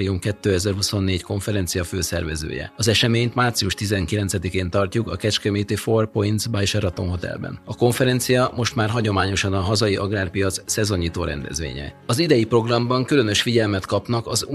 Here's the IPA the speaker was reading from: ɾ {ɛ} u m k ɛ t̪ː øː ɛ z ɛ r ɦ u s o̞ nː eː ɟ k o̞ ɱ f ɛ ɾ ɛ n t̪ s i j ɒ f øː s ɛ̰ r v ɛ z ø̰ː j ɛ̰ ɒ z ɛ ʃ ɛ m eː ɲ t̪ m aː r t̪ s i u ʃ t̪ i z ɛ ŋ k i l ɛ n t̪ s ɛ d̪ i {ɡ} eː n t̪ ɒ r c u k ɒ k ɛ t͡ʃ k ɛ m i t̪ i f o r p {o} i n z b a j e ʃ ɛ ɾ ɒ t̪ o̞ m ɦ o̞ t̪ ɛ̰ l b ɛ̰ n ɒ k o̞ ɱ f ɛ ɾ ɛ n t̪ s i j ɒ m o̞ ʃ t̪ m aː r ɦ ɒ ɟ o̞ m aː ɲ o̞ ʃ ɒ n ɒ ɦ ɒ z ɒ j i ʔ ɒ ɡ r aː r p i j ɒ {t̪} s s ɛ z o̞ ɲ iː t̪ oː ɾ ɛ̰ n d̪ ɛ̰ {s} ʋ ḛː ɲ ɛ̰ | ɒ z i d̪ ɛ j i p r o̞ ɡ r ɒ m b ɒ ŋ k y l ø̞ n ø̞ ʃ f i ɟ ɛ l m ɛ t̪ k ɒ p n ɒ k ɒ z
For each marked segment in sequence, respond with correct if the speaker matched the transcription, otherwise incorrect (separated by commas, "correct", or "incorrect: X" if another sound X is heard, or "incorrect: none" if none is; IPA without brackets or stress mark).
incorrect: i, incorrect: k, correct, correct, incorrect: z